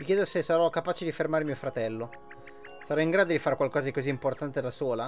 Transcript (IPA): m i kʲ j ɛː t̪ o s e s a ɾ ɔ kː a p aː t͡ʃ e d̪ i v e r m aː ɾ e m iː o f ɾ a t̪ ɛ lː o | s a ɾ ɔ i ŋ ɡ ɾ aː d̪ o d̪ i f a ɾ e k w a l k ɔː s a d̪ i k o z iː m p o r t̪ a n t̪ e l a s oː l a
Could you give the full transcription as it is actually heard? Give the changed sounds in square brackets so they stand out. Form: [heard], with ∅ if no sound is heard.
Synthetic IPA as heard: m i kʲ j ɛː [d̪] o s e s a ɾ ɔ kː a p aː t͡ʃ e d̪ i [f] e r m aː ɾ e m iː o f ɾ a t̪ ɛ lː o | s a ɾ ɔ i ŋ ɡ ɾ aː d̪ o d̪ i f a ɾ e k w a l k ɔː [z] a d̪ i k o z iː m p o r t̪ a n t̪ e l a s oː l a